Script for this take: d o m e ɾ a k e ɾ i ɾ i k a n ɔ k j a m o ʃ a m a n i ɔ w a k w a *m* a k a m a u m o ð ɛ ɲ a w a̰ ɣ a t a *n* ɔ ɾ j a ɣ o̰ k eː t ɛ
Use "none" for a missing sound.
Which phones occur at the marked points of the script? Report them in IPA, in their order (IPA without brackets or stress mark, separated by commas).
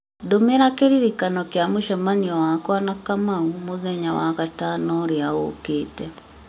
n, n